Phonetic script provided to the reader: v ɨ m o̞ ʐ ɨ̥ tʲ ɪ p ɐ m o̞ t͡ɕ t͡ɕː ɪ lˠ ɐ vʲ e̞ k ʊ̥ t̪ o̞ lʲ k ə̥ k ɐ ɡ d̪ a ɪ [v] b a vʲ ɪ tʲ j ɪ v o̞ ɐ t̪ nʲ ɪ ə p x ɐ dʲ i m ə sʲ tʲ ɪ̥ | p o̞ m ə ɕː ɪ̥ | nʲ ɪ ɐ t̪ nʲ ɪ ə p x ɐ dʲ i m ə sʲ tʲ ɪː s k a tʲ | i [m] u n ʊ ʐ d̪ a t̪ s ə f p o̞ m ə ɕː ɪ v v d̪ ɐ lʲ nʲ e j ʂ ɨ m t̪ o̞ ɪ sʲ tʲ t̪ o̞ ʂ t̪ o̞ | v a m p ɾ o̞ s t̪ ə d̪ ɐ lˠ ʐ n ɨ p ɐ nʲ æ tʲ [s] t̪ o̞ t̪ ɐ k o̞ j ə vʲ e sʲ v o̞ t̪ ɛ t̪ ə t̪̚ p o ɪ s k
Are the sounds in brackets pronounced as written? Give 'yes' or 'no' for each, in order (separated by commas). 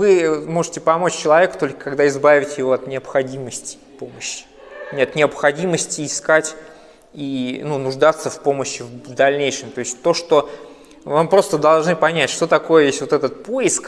no, no, no